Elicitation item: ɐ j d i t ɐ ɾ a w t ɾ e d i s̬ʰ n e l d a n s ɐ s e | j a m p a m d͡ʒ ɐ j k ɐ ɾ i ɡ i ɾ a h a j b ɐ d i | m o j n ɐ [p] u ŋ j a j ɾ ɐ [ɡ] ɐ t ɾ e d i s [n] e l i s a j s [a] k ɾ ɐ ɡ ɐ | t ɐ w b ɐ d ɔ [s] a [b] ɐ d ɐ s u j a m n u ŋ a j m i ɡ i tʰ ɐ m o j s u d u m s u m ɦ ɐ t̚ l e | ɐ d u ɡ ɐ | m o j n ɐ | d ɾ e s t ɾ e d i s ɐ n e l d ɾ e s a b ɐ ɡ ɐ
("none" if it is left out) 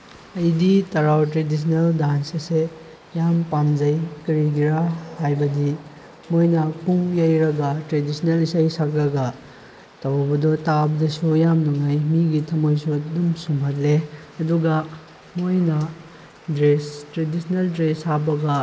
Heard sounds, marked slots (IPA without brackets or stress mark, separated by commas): p, ɡ, n, a, t, b